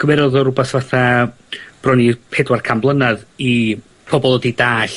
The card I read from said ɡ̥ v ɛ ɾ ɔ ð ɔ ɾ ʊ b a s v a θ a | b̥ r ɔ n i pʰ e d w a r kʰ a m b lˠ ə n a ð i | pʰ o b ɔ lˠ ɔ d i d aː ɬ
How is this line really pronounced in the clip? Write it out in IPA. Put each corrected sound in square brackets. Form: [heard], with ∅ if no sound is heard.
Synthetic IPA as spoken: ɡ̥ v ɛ ɾ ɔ ð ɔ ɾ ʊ b a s v a θ a | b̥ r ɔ n i pʰ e d w a r kʰ a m b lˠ ə n a ð i | pʰ [ɔ] b ɔ lˠ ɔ d i d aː ɬ